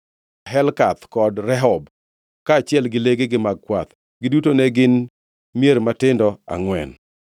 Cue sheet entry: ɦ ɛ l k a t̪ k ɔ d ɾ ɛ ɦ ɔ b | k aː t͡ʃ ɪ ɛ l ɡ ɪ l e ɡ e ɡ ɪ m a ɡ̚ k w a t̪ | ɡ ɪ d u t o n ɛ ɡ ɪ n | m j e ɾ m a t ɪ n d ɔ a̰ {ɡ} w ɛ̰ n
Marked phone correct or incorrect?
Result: incorrect: ŋ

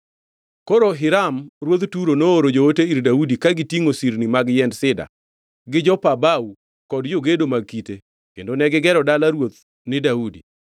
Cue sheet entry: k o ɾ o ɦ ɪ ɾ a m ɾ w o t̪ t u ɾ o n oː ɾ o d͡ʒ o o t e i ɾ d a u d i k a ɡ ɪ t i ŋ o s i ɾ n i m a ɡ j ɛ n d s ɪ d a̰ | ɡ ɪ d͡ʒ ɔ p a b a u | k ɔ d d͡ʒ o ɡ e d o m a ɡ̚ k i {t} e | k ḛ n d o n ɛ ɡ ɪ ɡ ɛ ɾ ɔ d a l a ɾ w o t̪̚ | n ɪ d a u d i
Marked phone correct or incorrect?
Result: correct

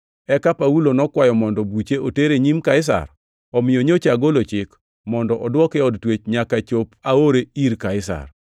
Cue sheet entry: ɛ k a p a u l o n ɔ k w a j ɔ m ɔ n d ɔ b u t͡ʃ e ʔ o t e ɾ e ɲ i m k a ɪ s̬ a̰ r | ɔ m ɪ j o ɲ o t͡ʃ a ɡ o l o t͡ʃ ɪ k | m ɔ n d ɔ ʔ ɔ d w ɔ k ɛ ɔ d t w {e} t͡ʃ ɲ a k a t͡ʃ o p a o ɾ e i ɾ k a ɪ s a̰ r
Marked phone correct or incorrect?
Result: correct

